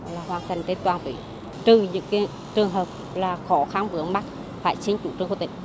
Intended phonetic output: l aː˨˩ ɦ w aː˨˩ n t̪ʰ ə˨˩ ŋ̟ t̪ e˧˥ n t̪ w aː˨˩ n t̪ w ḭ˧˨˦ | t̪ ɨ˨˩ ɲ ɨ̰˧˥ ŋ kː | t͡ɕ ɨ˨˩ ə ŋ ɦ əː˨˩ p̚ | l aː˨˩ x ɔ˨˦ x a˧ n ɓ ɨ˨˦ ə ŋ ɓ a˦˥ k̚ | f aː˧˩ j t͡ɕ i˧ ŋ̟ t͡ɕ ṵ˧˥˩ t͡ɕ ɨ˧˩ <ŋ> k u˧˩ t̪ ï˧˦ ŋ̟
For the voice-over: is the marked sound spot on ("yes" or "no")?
yes